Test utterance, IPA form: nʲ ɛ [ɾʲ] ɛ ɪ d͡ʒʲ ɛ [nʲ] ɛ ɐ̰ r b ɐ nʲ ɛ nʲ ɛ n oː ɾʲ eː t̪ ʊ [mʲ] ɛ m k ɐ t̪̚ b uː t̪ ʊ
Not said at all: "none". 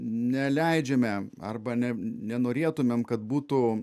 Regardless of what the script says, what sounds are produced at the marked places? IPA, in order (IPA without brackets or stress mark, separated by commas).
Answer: lʲ, mʲ, mʲ